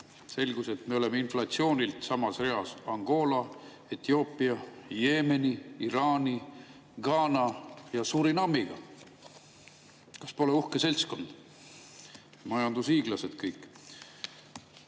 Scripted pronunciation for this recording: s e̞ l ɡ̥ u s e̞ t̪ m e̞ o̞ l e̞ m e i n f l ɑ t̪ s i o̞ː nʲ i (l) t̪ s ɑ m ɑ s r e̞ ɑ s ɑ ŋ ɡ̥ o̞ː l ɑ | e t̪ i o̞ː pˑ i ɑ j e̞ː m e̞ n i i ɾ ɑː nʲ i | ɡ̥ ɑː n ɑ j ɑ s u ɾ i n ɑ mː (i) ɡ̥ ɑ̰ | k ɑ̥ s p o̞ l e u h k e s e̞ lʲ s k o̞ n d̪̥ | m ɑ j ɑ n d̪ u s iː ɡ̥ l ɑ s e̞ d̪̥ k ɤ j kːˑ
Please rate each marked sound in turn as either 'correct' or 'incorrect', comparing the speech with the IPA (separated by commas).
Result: correct, correct